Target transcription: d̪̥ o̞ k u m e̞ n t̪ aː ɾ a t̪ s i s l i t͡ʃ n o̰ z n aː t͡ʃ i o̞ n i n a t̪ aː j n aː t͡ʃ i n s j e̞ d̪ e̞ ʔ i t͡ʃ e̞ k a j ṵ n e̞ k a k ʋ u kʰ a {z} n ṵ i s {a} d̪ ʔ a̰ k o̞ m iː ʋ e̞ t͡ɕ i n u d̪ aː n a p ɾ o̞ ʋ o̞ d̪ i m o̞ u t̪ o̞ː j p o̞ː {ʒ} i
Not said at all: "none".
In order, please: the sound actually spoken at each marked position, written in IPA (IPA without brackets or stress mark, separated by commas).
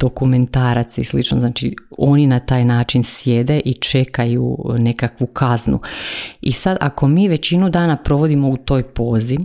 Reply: z, a, z